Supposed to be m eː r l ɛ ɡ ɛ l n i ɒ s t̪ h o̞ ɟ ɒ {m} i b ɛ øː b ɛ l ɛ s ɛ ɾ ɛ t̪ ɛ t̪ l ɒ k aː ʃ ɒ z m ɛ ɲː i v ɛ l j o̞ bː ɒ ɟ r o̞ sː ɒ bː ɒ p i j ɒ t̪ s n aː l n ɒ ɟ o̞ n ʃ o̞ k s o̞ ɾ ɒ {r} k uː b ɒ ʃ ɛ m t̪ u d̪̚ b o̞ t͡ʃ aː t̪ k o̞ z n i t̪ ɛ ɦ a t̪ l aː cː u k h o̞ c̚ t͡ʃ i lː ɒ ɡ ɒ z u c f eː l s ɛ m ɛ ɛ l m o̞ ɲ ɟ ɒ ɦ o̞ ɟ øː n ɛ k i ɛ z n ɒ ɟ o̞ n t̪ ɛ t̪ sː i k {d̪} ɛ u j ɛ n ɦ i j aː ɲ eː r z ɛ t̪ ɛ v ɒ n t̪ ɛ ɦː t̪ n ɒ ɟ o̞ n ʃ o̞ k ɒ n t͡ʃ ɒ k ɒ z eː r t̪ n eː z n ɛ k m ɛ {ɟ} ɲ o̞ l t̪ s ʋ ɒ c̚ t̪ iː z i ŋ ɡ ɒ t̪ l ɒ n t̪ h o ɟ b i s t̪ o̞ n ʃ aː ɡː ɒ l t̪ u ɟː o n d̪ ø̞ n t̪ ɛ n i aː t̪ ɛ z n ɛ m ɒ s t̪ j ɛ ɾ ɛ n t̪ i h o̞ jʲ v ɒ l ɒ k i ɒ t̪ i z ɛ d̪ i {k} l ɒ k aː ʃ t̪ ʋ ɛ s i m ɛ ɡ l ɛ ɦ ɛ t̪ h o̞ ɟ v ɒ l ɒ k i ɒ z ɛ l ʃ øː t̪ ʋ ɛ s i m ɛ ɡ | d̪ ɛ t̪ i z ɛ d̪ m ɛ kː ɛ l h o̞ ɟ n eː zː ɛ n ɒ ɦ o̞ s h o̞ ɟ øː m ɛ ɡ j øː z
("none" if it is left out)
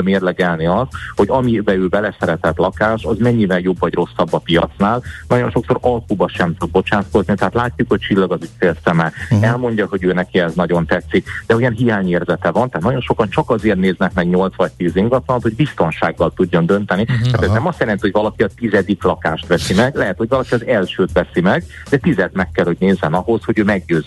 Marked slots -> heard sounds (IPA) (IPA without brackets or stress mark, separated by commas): m, l, d̪, ɡ, k